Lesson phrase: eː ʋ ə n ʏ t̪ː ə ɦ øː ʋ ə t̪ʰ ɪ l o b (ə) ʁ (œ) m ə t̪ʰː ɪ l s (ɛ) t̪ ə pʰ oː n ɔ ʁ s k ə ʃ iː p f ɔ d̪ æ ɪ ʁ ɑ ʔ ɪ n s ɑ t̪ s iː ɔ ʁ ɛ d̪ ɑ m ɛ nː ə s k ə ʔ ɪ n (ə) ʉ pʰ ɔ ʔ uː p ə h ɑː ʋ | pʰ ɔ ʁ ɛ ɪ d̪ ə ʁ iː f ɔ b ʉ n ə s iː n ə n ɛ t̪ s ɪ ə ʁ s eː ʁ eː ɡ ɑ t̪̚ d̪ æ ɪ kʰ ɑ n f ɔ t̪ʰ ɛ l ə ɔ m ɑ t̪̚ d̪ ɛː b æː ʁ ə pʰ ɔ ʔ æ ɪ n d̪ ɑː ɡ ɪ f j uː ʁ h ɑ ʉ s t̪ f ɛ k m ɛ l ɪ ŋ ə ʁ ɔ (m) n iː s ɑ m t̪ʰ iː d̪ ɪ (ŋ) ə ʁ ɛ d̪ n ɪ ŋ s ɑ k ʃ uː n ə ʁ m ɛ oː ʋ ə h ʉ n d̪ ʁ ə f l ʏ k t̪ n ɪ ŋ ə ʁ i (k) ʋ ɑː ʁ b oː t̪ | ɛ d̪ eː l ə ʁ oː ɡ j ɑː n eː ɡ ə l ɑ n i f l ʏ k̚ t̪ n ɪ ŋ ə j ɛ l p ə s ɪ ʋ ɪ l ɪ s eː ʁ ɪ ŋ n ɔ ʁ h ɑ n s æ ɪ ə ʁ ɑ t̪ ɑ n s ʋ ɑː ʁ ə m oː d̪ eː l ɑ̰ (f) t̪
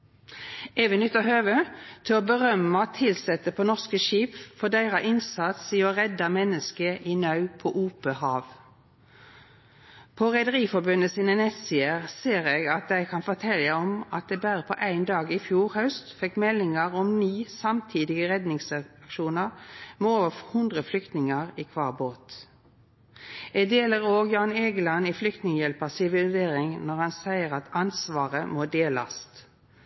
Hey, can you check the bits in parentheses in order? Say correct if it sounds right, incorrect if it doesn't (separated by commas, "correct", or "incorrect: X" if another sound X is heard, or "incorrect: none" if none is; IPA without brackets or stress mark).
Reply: correct, correct, correct, incorrect: ɑ, correct, incorrect: ɡ, incorrect: kʰ, incorrect: s